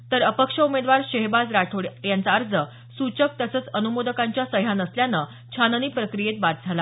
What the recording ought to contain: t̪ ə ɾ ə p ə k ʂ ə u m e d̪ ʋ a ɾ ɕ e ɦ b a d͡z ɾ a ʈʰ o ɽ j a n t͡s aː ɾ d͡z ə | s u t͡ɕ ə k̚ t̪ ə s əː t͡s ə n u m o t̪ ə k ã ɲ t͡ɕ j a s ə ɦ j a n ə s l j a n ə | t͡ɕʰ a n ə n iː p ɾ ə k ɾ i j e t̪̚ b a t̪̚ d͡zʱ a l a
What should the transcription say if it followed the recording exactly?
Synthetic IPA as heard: t̪ ə ɾ ə p ə k ʂ ə u m e d̪ ʋ a ɾ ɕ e ɦ b a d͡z ɾ a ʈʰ o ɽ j a n t͡s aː ɾ d͡z ə | s u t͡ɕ ə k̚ t̪ ə s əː t͡s ə n u m o d̪ ə k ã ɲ t͡ɕ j a s ə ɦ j a n ə s l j a n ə | t͡ɕʰ a n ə n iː p ɾ ə k ɾ i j e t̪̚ b a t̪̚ d͡zʱ a l a